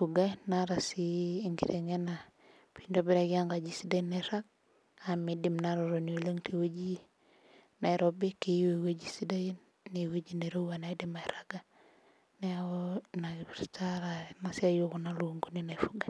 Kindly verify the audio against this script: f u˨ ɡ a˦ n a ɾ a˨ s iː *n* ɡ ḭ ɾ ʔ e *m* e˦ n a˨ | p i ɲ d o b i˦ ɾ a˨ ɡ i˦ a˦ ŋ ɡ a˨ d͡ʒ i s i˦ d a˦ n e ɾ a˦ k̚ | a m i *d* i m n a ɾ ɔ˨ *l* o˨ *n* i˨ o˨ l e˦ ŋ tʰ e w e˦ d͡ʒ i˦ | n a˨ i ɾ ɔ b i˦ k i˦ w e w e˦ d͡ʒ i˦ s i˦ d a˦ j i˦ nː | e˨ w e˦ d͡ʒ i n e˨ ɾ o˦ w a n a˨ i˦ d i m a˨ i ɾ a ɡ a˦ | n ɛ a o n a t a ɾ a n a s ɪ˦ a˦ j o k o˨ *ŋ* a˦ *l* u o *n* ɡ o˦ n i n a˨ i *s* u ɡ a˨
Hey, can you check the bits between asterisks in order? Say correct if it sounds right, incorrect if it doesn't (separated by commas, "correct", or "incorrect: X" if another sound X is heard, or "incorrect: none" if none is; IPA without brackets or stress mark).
incorrect: ŋ, incorrect: ŋ, correct, incorrect: ɾ, correct, incorrect: n, correct, incorrect: ŋ, incorrect: f